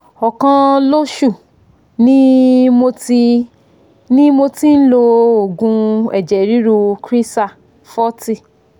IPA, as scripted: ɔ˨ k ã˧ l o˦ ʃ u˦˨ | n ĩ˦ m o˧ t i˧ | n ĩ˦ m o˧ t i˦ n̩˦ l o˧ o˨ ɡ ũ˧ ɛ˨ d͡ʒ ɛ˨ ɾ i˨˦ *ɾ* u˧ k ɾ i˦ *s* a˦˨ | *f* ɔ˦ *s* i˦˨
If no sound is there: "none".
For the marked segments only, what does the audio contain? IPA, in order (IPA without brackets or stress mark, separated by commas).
ɾ, s, f, t